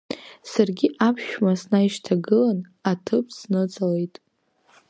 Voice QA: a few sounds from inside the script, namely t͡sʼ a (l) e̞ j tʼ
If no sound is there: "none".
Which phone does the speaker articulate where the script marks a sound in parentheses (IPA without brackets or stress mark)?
l